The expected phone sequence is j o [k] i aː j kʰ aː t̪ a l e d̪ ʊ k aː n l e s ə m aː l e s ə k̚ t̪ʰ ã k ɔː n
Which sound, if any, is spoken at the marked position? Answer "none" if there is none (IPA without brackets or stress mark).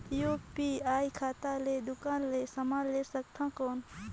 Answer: p